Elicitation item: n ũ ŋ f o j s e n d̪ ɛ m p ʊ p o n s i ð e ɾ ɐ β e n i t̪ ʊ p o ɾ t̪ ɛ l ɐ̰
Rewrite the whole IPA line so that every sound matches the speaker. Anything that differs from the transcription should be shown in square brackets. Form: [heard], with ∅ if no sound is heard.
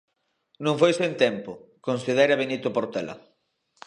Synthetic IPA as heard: n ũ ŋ f o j s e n [t̪] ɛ m p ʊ [k] o n s i ð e ɾ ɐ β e n i t̪ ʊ p o ɾ t̪ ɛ l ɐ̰